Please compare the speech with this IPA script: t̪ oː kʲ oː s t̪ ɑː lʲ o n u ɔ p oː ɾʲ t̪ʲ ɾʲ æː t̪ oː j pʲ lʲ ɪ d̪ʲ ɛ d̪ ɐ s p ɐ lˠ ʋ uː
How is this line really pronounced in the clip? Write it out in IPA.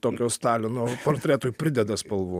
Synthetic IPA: t̪ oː kʲ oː s t̪ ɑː lʲ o n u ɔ p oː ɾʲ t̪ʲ ɾʲ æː t̪ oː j pʲ ɾʲ ɪ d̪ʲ ɛ d̪ ɐ s p ɐ lˠ ʋ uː